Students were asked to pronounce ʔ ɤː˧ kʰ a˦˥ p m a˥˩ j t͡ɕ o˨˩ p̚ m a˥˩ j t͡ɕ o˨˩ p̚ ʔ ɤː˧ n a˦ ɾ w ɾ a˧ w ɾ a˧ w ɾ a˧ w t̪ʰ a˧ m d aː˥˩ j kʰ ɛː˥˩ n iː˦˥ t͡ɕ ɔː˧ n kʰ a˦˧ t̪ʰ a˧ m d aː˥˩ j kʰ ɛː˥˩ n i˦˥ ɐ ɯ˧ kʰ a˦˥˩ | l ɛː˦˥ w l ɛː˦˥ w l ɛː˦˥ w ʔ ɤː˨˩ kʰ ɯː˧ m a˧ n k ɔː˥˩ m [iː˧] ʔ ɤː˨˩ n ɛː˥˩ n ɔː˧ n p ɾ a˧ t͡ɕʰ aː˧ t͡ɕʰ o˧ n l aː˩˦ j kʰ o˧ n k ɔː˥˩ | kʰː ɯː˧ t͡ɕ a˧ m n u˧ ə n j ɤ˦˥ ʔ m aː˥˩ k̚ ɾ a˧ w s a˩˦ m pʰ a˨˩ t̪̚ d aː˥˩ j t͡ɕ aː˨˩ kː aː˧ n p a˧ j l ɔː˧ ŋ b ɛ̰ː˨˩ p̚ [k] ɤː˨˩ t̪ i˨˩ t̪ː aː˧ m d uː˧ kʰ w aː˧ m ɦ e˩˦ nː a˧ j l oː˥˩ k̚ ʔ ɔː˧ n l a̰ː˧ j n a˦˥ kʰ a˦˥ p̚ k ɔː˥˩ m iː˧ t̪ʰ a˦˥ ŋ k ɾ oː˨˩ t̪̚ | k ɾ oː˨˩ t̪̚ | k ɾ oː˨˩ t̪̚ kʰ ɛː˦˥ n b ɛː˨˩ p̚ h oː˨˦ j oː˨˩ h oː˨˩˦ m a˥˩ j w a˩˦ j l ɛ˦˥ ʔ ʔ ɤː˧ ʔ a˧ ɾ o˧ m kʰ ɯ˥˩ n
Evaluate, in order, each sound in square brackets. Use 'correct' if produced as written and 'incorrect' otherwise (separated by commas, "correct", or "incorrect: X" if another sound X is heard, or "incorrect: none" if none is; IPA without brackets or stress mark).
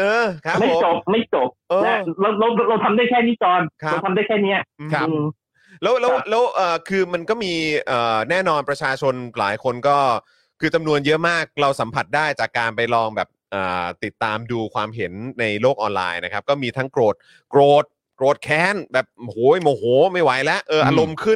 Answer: correct, incorrect: ʔ